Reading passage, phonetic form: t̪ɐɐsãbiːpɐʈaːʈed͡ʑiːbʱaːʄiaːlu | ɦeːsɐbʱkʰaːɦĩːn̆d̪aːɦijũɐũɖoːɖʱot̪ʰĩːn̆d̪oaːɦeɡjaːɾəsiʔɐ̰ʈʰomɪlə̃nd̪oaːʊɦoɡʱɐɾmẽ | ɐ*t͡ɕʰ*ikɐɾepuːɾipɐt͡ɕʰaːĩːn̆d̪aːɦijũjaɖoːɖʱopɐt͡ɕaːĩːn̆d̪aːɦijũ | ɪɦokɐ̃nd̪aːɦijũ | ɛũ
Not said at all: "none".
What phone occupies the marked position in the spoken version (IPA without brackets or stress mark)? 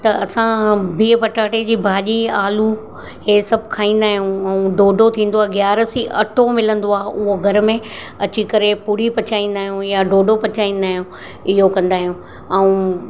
t͡ɕ